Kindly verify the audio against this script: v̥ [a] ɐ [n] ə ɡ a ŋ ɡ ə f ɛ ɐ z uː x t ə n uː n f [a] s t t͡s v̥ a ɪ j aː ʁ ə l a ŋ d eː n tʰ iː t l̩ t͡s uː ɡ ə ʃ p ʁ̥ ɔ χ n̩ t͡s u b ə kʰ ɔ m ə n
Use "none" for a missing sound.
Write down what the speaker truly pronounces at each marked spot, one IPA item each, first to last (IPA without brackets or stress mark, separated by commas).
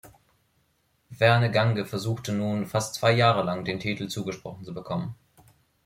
ɛ, n, a